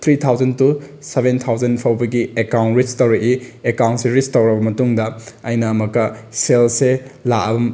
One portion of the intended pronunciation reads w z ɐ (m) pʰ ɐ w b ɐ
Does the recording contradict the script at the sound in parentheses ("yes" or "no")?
yes